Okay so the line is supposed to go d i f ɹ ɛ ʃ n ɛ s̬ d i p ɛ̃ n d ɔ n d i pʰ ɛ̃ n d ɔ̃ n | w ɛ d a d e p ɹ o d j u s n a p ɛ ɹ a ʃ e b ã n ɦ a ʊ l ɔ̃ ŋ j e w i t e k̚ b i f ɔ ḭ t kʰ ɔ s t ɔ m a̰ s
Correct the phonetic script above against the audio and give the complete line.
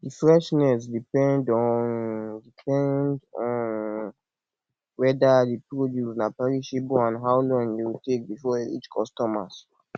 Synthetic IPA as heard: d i f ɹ ɛ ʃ n ɛ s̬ d i p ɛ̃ n d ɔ n d i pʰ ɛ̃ n d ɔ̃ n | w ɛ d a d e p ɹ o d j u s n a p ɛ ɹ i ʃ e b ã n ɦ a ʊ l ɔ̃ ŋ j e w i t e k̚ b i f ɔ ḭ t͡ʃ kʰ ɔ s t ɔ m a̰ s